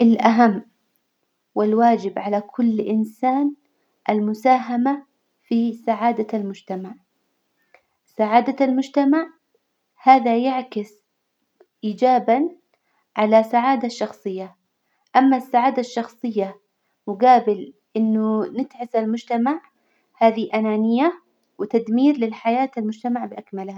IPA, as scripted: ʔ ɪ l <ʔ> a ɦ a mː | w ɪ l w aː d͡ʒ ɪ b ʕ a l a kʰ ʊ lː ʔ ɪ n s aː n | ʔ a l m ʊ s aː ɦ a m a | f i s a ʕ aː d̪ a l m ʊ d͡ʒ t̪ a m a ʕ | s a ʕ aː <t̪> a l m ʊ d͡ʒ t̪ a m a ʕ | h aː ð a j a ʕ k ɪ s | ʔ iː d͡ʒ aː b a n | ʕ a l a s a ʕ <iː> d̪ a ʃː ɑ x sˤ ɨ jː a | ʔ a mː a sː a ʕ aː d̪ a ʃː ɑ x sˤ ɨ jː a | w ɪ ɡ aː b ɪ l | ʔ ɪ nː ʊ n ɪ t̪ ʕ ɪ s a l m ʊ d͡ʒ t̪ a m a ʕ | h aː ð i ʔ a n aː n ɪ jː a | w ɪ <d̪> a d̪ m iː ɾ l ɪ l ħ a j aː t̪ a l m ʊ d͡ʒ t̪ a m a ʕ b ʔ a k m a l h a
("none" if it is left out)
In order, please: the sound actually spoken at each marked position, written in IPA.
ʔ, d̪, aː, t̪

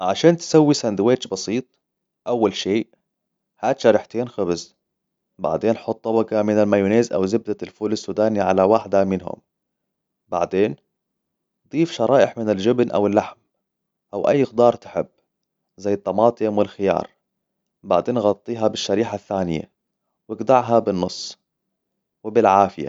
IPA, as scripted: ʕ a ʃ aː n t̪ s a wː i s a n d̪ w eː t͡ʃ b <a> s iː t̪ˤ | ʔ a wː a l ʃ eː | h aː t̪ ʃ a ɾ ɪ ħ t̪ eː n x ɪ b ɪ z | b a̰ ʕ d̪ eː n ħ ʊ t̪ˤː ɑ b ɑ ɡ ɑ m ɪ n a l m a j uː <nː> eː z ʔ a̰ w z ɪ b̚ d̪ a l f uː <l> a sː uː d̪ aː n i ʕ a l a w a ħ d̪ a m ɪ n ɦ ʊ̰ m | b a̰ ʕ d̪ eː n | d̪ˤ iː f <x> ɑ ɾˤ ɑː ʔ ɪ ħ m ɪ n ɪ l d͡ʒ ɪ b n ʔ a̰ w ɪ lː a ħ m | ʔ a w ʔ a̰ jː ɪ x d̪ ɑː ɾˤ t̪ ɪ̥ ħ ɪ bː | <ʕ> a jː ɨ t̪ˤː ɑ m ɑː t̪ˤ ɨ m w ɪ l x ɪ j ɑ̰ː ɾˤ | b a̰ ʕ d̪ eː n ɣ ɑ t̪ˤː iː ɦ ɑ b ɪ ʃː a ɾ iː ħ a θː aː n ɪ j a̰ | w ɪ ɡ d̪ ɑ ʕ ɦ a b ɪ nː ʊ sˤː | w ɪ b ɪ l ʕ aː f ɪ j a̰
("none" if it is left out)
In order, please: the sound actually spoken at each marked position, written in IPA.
ɑ, n, l, ʃ, z

